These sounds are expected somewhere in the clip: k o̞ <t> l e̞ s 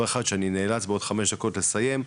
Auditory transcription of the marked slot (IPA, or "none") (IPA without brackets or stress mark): t